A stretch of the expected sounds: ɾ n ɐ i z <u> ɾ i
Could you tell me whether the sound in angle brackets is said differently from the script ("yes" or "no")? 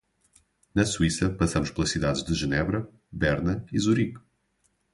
no